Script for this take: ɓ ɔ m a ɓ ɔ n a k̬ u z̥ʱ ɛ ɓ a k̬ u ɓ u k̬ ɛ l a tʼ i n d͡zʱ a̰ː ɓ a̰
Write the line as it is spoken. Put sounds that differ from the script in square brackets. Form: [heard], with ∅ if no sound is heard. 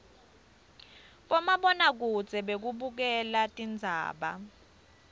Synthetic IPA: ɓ ɔ m a ɓ ɔ n a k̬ u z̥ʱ ɛ ɓ [e] k̬ u ɓ u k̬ ɛ l a tʼ i n d͡zʱ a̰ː ɓ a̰